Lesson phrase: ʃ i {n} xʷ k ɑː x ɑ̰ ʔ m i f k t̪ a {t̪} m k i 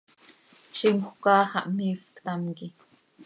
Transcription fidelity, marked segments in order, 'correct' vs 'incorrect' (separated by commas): incorrect, incorrect